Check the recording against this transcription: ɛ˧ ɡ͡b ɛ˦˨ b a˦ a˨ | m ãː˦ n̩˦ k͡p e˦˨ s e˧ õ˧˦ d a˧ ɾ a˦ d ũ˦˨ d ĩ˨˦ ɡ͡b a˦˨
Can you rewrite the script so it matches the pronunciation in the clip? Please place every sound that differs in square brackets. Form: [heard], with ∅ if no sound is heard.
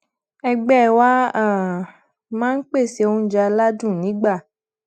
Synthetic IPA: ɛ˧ ɡ͡b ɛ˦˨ [w] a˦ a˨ | m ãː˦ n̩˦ k͡p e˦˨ s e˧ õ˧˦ [d͡ʒ] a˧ [l] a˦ d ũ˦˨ [n] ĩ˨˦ ɡ͡b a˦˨